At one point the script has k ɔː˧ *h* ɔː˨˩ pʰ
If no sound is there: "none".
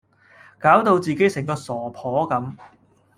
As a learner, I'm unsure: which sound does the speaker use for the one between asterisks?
s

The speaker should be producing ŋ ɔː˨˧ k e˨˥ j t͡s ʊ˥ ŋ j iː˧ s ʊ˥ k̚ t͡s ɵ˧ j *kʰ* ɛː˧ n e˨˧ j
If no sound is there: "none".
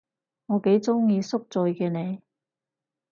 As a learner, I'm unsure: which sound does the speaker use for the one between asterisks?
k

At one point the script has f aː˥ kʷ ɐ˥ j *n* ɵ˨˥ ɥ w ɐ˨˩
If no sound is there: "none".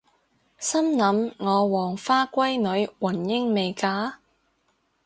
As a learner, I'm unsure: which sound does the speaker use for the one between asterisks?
n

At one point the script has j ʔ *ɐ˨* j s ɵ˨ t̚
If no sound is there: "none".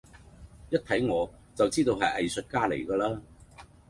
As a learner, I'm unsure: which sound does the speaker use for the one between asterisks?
ɐ˨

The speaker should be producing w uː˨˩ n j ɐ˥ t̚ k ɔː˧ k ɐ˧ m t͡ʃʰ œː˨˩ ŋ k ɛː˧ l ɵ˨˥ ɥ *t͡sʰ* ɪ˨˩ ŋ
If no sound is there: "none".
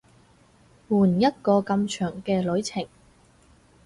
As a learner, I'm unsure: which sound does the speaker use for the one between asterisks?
t͡sʰ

